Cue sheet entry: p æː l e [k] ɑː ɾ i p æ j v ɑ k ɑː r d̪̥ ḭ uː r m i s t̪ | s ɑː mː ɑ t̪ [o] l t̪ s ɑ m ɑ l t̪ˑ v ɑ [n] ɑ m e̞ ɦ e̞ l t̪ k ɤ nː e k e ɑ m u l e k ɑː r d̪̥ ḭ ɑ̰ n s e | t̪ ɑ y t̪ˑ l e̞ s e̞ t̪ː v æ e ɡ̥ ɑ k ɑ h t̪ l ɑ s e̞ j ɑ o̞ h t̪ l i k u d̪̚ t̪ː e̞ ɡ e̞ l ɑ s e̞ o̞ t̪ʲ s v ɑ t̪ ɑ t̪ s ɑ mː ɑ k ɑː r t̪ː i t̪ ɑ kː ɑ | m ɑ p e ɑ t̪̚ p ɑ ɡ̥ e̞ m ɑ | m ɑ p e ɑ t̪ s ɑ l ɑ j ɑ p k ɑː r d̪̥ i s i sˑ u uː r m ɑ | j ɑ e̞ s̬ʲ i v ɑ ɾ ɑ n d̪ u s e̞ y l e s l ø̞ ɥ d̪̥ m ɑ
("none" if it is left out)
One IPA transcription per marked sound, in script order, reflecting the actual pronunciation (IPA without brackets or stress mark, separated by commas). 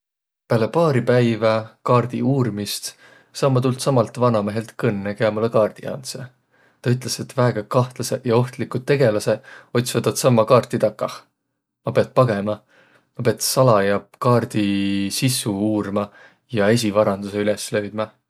p, u, n